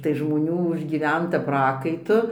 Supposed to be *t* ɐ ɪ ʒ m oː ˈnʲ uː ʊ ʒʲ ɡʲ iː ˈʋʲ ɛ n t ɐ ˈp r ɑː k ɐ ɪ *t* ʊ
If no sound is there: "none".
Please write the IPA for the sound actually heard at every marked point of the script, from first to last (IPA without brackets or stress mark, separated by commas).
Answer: t, t